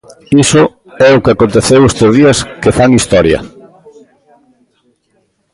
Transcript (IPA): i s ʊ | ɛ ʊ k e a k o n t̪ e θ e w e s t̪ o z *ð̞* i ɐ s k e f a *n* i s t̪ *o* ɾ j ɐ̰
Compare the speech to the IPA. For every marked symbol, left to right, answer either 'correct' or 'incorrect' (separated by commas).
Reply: correct, incorrect, incorrect